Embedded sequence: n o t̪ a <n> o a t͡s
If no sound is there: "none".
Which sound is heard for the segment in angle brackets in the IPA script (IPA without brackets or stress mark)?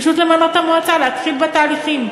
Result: m